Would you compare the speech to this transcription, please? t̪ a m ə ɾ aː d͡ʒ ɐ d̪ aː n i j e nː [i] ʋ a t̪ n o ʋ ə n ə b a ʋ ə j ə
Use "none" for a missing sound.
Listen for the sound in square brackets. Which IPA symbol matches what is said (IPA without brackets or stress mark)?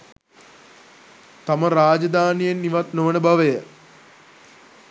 i